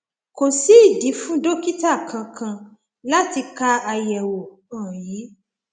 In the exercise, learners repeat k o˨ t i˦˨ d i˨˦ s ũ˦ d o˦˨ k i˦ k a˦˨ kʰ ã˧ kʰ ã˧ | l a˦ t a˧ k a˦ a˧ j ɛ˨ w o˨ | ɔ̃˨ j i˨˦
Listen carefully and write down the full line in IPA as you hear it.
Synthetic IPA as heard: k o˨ s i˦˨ d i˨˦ f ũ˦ d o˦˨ k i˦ t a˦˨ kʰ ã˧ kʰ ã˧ | l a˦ t i˧ k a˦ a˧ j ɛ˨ w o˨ | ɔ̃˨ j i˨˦